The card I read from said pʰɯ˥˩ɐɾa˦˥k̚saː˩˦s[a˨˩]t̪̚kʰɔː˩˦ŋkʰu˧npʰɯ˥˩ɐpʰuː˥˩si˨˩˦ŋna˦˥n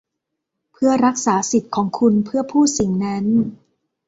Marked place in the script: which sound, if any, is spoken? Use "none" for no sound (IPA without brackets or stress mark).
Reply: i˨˩